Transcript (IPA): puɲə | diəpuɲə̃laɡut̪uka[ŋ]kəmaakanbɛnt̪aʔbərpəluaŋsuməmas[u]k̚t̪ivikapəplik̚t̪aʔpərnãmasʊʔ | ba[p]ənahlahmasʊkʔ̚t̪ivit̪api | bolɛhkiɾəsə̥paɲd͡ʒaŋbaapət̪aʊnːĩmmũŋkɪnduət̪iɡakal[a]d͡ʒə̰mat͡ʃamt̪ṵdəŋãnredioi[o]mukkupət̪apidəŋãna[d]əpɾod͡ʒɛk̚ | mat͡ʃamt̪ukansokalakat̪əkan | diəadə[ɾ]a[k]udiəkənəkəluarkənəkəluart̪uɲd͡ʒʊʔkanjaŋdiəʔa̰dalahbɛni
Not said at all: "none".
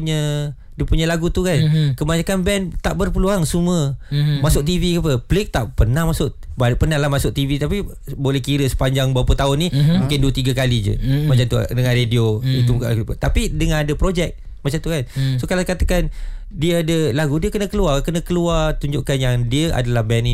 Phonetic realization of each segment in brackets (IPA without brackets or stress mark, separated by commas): n, ʊ, p, i, u, d, l, ɡ